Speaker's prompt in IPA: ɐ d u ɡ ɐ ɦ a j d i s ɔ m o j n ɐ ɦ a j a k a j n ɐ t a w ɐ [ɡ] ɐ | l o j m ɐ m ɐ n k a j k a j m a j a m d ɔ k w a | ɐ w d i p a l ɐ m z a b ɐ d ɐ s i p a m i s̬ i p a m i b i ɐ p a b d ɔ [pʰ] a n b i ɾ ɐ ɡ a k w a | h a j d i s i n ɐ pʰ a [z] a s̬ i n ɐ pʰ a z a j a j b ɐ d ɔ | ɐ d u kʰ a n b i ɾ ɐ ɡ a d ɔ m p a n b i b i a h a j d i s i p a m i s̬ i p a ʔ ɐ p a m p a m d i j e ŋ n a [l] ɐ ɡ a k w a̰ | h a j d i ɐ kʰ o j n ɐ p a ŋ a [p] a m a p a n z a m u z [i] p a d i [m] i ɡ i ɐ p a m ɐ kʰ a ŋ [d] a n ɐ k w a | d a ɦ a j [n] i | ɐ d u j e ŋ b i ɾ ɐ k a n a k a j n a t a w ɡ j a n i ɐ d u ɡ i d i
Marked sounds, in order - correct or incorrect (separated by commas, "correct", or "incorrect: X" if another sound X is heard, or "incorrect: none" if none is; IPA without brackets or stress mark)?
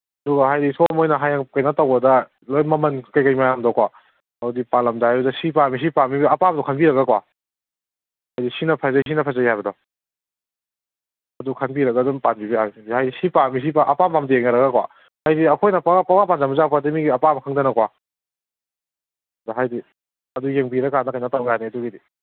incorrect: d, incorrect: kʰ, correct, incorrect: ɾ, correct, incorrect: a, correct, correct, incorrect: d